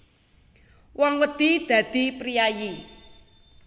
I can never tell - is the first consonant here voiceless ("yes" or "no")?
no